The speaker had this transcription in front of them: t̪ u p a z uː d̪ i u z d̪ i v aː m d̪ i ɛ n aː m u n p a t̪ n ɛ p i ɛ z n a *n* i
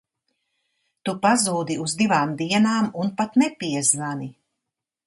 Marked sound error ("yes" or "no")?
no